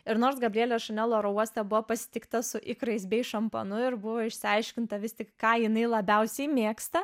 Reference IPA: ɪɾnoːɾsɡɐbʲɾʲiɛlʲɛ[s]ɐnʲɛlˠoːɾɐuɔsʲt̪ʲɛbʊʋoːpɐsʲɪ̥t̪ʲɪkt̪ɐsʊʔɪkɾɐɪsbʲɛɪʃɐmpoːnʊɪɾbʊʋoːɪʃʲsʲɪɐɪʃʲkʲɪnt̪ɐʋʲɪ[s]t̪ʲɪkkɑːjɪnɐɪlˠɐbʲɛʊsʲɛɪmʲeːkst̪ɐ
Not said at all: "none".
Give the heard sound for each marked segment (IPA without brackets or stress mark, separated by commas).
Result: ʃ, s